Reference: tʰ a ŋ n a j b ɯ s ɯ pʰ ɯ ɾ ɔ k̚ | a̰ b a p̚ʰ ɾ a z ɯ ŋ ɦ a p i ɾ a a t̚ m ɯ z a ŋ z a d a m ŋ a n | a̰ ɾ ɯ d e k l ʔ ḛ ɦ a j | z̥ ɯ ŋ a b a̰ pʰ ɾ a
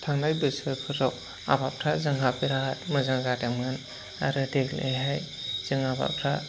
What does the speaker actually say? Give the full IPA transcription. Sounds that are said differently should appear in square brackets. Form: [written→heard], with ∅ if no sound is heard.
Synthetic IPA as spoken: tʰ a ŋ n a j b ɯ s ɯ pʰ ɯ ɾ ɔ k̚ | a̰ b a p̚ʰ ɾ a z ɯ ŋ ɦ a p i ɾ a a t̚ m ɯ z a ŋ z a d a m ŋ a n | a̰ ɾ ɯ d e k l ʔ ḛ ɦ a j | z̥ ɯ ŋ a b a̰ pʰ ɾ a